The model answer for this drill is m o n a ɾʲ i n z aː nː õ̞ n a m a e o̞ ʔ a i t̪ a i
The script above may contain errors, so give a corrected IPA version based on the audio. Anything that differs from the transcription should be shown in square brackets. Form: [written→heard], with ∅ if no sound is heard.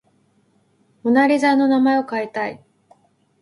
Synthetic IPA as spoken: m o n a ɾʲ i [n→∅] z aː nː [õ̞→o̞] n a m a e o̞ [ʔ→k] a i t̪ a i